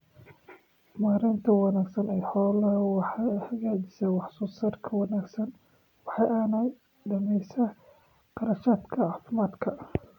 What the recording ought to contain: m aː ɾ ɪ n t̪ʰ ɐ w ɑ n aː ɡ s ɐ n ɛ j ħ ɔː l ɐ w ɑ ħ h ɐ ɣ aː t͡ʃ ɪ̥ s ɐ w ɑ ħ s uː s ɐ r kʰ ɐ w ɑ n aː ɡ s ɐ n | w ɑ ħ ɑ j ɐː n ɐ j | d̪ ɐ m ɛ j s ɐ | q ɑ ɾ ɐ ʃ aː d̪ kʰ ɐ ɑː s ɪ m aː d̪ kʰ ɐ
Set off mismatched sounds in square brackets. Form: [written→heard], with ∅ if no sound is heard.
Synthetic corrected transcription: m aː ɾ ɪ n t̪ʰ ɐ w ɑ n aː ɡ s ɐ n ɛ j ħ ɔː l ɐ w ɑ ħ h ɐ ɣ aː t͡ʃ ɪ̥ s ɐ w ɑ ħ s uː s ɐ r kʰ ɐ w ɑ n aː ɡ s ɐ n | w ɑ ħ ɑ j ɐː n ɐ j | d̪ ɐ m ɛ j s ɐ | q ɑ ɾ ɐ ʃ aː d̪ kʰ ɐ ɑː [s→f] ɪ m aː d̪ kʰ ɐ